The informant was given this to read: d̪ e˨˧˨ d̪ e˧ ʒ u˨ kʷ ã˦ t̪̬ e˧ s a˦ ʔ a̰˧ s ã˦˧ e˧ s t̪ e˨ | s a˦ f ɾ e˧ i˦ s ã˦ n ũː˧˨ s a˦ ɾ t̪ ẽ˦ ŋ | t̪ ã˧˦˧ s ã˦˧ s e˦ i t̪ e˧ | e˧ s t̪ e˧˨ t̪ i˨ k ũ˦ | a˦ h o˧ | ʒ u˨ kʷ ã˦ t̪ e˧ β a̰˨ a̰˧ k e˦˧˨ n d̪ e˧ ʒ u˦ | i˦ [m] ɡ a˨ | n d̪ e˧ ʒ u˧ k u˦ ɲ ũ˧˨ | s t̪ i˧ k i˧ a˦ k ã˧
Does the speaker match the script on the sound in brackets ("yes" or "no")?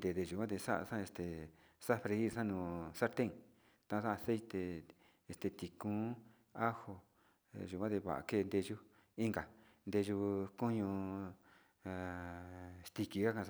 no